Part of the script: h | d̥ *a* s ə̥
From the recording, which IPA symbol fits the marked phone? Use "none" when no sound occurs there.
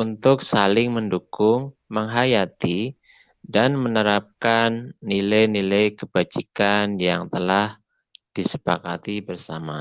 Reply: i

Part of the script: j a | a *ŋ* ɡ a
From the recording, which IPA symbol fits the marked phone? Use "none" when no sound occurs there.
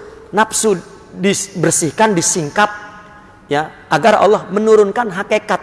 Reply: none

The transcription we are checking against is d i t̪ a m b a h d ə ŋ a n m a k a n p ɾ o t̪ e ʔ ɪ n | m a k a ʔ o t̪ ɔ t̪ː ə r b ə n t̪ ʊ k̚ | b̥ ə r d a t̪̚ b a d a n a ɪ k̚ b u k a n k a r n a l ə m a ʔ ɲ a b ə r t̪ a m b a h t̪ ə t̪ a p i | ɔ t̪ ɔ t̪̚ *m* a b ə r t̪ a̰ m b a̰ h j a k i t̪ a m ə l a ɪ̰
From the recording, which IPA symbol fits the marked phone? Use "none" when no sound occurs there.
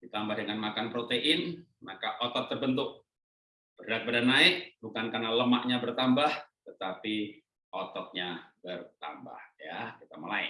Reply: ɲ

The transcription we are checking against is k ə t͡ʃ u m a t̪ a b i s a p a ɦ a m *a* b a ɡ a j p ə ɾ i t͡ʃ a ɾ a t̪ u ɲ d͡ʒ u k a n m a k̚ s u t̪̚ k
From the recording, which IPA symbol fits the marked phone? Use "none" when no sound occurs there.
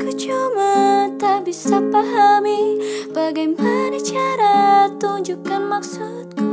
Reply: i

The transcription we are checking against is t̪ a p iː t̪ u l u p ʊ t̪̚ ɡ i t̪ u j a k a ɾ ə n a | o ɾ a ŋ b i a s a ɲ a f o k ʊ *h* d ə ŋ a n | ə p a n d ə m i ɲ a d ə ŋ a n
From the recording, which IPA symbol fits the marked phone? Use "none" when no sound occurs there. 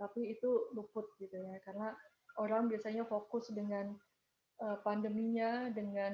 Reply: s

